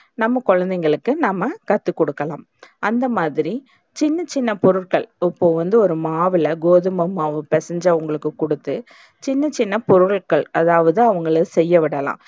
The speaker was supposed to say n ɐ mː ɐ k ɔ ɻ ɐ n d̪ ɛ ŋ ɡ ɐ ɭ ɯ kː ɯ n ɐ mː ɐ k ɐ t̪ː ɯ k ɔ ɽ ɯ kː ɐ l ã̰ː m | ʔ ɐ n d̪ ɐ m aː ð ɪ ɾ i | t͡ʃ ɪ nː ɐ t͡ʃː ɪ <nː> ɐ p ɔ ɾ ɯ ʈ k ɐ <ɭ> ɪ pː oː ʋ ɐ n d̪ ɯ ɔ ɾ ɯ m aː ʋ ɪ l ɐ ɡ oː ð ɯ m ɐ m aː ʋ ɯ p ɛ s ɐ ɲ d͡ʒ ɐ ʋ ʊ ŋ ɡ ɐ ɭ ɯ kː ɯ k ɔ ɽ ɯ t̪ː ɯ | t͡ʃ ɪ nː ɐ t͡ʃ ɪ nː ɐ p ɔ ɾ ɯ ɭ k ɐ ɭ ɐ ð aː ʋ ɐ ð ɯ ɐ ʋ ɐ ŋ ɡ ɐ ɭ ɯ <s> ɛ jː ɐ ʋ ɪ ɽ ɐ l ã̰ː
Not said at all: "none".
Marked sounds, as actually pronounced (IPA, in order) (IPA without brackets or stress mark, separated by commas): nː, ɭ, s